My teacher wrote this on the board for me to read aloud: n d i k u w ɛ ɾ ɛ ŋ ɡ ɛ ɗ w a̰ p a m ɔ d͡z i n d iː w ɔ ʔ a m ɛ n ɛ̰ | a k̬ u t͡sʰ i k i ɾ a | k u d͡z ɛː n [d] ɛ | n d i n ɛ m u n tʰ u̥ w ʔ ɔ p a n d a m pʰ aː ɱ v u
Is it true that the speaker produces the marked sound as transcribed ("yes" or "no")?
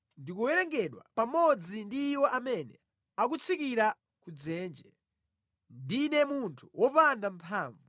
no